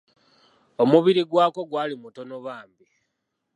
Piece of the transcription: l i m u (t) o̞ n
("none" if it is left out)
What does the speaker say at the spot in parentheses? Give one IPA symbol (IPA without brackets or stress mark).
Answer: t